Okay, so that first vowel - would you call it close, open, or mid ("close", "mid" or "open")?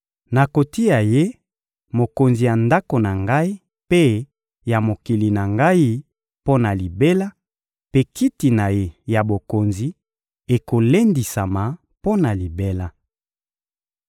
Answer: open